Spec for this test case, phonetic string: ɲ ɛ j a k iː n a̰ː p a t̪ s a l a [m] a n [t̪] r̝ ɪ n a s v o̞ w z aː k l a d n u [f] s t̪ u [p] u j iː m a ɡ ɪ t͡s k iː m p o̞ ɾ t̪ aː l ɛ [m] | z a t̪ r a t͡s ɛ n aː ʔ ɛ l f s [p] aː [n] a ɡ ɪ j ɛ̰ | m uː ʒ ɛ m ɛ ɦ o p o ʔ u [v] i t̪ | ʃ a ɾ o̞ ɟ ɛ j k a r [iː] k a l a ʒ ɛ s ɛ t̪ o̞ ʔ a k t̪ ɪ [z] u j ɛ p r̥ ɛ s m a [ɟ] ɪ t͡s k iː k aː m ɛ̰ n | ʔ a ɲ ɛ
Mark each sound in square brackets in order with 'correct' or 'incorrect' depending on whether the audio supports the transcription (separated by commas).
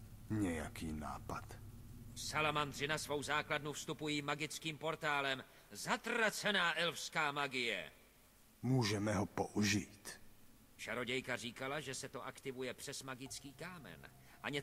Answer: correct, incorrect, correct, correct, correct, incorrect, incorrect, incorrect, correct, incorrect, incorrect